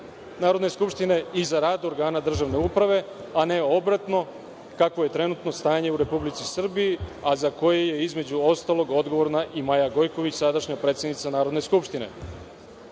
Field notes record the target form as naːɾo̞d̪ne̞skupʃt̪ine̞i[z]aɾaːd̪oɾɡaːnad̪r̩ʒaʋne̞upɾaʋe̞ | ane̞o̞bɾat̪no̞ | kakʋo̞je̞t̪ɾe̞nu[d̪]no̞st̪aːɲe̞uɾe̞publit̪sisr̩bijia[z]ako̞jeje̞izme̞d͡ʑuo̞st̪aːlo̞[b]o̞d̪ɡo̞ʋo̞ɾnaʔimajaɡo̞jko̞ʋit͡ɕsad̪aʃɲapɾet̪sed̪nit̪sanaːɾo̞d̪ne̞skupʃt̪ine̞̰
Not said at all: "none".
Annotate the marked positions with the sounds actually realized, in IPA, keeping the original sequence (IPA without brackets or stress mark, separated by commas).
z, t̪, z, ɡ